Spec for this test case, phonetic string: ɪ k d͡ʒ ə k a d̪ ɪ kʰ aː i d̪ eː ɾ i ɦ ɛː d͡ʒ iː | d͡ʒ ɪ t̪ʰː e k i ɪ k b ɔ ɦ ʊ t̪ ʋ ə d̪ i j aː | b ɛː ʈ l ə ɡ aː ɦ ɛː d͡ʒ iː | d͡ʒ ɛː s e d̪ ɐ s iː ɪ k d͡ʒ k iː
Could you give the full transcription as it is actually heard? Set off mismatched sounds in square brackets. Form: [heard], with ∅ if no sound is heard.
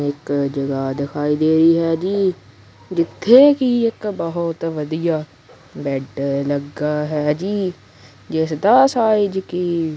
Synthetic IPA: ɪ k d͡ʒ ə [ɡ] a d̪ ɪ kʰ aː i d̪ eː ɾ i ɦ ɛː d͡ʒ iː | d͡ʒ ɪ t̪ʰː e k i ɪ k b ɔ ɦ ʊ t̪ ʋ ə d̪ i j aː | b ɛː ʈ l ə ɡ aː ɦ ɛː d͡ʒ iː | d͡ʒ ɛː s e d̪ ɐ s [aː] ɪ [∅] d͡ʒ k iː

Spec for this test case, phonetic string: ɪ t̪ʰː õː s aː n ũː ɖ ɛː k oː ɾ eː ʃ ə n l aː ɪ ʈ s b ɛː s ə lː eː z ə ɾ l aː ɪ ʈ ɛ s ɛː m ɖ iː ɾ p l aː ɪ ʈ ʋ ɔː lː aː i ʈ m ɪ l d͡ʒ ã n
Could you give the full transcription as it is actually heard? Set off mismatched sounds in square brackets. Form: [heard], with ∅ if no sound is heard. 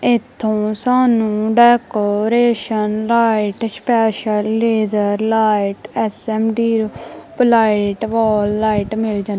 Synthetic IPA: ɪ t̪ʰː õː s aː n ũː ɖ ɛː k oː ɾ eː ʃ ə n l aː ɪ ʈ s [p] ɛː [ʃ] ə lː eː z ə ɾ l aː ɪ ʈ ɛ s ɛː m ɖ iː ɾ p l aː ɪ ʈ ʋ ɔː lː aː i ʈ m ɪ l d͡ʒ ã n

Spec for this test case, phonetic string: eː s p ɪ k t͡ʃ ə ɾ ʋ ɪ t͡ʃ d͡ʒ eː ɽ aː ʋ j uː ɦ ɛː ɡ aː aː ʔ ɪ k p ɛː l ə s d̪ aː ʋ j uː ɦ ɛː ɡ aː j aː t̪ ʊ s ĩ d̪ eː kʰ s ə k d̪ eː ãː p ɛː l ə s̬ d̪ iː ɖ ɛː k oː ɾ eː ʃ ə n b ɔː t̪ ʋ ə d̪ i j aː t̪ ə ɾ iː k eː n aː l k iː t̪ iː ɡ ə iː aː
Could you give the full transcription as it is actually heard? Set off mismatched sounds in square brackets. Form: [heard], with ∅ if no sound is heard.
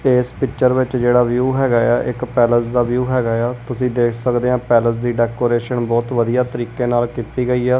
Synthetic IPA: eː s p ɪ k t͡ʃ ə ɾ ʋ ɪ t͡ʃ d͡ʒ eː ɽ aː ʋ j uː ɦ ɛː ɡ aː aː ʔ ɪ k p ɛː l ə s d̪ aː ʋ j uː ɦ ɛː ɡ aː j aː t̪ ʊ s [ĩː] d̪ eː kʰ s ə k d̪ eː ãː p ɛː l ə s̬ d̪ iː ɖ ɛː k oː ɾ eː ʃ ə n b ɔː t̪ ʋ ə d̪ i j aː t̪ ə ɾ iː k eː n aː l k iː t̪ iː ɡ ə iː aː

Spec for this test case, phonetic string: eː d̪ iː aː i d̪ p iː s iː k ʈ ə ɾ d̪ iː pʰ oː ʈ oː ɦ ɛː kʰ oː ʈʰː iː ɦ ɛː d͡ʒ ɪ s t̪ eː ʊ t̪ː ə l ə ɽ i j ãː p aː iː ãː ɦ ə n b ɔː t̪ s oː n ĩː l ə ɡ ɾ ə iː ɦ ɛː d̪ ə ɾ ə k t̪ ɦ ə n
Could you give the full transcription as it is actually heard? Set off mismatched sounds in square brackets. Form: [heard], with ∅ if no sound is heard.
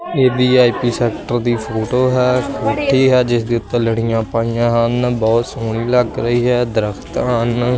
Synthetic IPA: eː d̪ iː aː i [∅] p iː s [ɛː] k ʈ ə ɾ d̪ iː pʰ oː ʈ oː ɦ ɛː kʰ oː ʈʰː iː ɦ ɛː d͡ʒ ɪ s [d̪] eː ʊ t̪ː ə l ə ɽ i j ãː p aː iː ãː ɦ ə n b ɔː t̪ s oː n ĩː l ə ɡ ɾ ə iː ɦ ɛː d̪ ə ɾ ə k t̪ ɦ ə n

